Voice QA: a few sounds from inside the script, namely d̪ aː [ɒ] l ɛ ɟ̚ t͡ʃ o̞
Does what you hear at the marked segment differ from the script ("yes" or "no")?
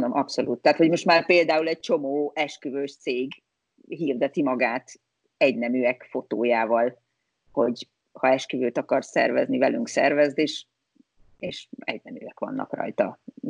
yes